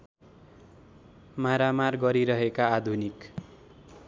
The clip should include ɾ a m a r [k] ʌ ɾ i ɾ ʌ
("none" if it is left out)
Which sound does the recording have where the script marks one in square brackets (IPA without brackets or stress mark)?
ɡ